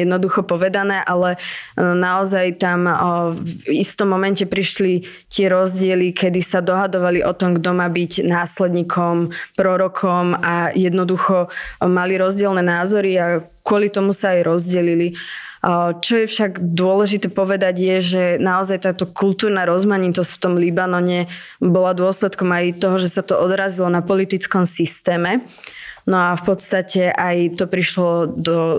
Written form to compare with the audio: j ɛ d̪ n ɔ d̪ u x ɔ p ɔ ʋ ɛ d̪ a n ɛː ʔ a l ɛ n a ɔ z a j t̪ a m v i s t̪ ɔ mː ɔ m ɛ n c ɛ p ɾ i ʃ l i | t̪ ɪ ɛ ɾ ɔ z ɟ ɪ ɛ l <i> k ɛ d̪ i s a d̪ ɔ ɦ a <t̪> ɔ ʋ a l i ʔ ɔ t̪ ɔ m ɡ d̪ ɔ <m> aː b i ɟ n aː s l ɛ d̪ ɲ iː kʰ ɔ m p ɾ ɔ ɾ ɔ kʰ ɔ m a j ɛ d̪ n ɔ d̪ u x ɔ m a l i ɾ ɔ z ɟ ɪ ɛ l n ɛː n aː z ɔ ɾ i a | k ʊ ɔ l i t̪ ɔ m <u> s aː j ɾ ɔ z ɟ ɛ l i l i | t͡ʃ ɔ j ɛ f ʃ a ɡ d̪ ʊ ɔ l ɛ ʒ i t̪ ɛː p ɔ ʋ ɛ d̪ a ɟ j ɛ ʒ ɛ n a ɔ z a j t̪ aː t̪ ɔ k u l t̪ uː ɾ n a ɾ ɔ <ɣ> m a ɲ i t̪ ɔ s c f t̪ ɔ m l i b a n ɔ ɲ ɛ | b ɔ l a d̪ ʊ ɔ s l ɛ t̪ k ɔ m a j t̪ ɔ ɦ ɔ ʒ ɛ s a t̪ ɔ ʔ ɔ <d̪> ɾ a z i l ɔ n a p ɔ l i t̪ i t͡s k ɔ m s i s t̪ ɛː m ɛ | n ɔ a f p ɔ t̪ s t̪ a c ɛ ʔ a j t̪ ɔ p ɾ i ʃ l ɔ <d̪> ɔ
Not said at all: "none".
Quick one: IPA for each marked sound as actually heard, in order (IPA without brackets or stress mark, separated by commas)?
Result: i, d̪, m, u, z, d̪, d̪